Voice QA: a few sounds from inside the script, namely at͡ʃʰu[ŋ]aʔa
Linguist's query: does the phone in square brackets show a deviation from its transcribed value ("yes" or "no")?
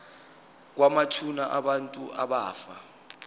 yes